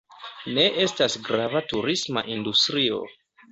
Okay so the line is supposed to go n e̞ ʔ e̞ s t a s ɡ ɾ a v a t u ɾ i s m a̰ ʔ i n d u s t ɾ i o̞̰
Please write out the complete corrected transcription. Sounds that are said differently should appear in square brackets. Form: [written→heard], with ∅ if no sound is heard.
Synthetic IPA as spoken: n e̞ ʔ e̞ s t a s ɡ ɾ a v a t u ɾ i s m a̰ ʔ i n d u s t ɾ i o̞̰